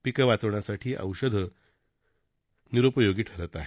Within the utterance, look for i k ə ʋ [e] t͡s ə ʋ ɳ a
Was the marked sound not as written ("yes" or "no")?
yes